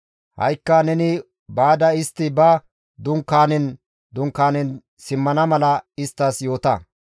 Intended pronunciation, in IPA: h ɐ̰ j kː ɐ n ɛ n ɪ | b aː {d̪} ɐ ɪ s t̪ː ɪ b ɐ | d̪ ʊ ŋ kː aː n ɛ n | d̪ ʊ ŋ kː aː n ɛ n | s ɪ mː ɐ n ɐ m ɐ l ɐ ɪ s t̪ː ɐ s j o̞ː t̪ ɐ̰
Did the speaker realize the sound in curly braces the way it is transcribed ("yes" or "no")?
yes